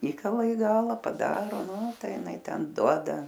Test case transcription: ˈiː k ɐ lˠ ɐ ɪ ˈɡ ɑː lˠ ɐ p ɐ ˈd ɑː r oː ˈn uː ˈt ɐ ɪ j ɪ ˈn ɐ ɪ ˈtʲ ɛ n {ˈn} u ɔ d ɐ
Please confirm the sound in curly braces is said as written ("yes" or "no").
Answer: no